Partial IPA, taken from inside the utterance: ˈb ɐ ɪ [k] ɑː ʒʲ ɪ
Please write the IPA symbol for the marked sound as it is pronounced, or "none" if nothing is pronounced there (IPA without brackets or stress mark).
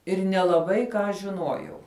k